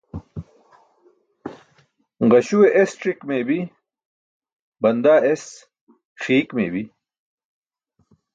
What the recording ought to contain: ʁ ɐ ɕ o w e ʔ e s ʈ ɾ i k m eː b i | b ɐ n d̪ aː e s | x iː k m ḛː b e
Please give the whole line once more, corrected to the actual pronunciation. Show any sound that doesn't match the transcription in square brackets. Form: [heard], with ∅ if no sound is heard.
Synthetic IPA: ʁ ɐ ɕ [u] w e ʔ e s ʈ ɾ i k m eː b i | b ɐ n d̪ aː e s | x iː k m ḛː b [i]